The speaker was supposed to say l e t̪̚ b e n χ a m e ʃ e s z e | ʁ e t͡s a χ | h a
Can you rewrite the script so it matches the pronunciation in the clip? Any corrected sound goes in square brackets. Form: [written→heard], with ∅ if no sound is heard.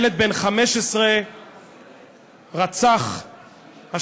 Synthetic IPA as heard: l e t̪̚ b e n χ a m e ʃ e s [z→ʁ] e | ʁ [e→a] t͡s a χ | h a

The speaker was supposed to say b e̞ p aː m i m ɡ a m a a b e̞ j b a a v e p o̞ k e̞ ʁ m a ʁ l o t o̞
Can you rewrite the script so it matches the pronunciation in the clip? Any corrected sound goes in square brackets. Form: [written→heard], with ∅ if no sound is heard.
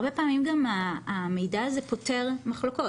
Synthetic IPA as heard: b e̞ p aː m i m ɡ a m a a [b→m] e̞ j [b→d] a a [v→z] e p o̞ [k→t] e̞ ʁ m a [ʁ→χ] l o [t→k] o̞

